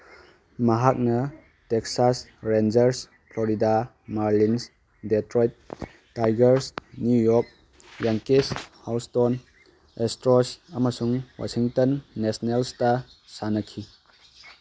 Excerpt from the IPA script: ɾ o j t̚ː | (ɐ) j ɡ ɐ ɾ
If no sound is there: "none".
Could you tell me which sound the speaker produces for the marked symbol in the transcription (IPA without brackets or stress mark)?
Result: a